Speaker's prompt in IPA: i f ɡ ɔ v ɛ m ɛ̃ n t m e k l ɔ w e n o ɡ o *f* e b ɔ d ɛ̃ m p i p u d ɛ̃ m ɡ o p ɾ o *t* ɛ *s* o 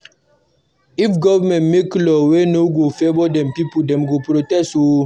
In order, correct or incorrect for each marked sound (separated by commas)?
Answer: correct, correct, correct